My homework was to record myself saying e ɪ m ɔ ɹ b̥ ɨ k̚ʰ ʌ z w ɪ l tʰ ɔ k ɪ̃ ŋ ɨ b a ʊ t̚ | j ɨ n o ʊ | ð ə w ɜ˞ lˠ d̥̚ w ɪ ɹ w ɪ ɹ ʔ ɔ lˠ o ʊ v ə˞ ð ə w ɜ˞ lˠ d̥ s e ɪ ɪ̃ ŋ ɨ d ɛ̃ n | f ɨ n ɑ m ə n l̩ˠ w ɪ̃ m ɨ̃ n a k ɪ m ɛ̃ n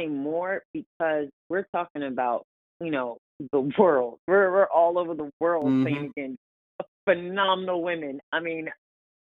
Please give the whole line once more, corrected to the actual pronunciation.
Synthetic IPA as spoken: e ɪ m ɔ ɹ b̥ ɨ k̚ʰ ʌ z w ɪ ɹ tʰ ɔ k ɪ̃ ŋ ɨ b a ʊ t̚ | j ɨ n o ʊ | ð ə w ɜ˞ lˠ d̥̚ w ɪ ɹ w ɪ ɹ ʔ ɔ lˠ o ʊ v ə˞ ð ə w ɜ˞ lˠ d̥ s e ɪ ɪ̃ ŋ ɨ ɡ ɛ̃ n | f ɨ n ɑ m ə n l̩ˠ w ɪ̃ m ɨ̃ n a ɪ m ĩ n